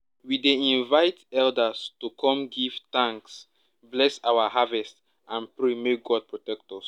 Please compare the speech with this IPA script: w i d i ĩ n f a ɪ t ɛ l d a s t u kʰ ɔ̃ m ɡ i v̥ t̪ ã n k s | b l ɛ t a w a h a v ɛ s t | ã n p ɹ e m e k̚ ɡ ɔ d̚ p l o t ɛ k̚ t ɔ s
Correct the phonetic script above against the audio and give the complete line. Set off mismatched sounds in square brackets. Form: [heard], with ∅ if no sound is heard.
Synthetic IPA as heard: w i d [e] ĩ n [v] a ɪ t ɛ l d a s t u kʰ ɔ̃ m ɡ i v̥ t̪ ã [ŋ] k s | b l ɛ [s] a w a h a v ɛ s t | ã n p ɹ e m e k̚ ɡ ɔ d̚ p [ɹ] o t ɛ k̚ t ɔ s